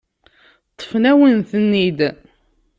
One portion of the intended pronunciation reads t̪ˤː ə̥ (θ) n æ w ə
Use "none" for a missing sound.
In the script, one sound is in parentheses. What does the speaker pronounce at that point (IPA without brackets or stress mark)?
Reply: f